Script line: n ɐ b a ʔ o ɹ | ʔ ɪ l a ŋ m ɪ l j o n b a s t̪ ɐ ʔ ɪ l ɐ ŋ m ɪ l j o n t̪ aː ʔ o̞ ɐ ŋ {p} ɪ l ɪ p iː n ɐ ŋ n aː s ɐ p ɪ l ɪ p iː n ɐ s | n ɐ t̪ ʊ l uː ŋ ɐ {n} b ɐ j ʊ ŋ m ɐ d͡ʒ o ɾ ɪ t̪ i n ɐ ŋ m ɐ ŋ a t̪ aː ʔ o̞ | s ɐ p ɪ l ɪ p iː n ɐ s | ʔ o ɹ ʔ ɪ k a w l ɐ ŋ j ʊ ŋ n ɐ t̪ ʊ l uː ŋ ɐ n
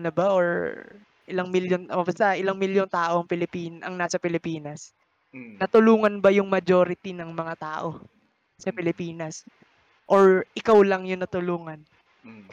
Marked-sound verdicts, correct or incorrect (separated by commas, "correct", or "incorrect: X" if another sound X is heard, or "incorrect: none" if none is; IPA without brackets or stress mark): correct, correct